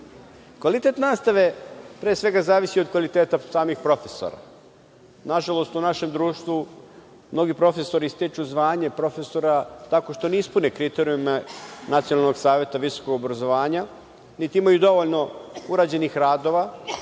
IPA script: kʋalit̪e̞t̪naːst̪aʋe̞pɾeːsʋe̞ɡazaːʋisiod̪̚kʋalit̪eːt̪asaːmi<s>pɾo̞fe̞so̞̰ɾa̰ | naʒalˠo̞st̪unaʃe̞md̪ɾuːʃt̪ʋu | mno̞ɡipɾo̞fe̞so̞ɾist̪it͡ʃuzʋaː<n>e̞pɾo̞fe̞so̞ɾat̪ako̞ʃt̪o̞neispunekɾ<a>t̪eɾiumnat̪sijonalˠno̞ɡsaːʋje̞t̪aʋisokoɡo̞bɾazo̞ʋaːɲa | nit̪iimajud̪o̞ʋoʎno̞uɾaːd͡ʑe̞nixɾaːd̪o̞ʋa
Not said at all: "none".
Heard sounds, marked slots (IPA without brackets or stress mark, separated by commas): x, ɲ, i